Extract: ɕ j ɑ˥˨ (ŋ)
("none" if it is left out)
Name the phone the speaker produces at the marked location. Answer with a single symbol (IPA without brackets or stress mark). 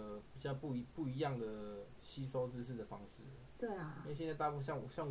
ŋ